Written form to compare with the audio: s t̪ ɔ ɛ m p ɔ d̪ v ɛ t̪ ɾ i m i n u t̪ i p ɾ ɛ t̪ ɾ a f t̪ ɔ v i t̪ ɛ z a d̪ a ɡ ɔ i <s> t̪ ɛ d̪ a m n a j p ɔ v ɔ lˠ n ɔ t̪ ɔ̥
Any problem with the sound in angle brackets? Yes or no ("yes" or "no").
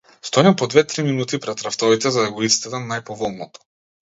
no